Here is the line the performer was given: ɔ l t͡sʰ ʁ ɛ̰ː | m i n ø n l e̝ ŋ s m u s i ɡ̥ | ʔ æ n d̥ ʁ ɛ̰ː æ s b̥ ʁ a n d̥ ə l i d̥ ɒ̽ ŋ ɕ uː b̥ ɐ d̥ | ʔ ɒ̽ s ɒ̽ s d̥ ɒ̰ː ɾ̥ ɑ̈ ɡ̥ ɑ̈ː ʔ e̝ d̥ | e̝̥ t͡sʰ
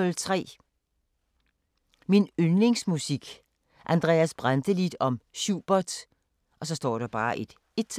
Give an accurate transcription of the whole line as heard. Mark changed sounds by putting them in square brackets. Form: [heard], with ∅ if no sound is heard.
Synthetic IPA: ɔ l t͡sʰ ʁ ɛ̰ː | m i n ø n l e̝ ŋ s m u s i ɡ̥ | ʔ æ n d̥ ʁ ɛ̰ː æ s b̥ ʁ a n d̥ ə l i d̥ ɒ̽ [m] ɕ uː b̥ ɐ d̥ | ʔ ɒ̽ s ɒ̽ s d̥ ɒ̰ː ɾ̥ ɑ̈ [b̥] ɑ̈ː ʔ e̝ d̥ | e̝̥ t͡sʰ